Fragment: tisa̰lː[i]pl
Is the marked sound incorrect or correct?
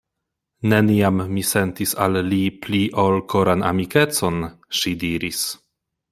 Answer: correct